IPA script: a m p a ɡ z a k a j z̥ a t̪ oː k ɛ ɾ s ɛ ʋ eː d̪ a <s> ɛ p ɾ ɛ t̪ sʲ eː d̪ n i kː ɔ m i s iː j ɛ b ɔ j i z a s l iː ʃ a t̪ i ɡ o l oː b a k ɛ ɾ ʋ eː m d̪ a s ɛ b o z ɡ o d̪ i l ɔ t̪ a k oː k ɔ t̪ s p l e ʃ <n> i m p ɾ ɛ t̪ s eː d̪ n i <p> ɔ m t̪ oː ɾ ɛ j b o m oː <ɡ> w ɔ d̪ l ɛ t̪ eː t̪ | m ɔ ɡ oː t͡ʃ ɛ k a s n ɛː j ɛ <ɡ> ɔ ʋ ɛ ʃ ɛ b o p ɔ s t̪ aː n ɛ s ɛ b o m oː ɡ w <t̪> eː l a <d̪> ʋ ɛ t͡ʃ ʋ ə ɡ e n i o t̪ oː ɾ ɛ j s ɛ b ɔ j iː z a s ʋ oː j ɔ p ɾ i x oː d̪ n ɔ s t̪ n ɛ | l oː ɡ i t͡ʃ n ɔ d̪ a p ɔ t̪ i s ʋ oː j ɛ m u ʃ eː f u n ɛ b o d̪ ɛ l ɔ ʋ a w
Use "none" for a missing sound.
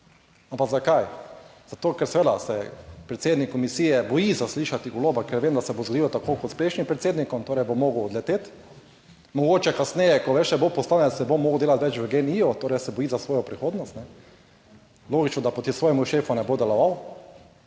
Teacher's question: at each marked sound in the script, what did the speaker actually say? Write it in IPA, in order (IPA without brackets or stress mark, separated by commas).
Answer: s, n, k, ɡ, k, d̪, t̪